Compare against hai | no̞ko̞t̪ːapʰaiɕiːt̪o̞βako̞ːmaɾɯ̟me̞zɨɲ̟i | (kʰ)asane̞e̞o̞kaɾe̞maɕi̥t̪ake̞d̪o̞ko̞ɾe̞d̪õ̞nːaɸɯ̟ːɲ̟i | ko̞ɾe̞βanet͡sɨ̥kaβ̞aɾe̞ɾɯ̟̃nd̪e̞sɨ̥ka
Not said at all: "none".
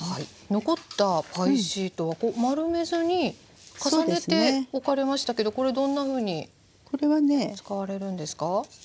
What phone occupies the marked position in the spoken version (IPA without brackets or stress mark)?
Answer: k